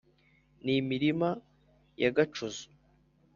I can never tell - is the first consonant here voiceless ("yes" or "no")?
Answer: no